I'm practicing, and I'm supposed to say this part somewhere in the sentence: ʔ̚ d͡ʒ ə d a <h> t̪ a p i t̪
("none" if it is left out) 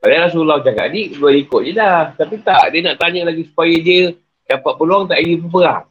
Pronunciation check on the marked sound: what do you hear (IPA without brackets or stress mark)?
h